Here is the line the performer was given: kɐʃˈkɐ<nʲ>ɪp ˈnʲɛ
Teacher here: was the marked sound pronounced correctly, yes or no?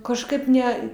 no